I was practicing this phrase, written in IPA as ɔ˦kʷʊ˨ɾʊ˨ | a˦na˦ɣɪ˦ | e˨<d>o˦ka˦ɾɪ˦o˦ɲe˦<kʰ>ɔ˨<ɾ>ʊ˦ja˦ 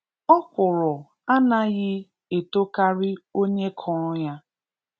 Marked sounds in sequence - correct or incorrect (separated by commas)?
incorrect, correct, correct